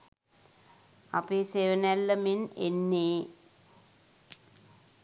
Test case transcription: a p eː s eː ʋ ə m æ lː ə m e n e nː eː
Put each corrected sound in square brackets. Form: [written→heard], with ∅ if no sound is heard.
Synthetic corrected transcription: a p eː s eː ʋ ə [m→n] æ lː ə m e n e nː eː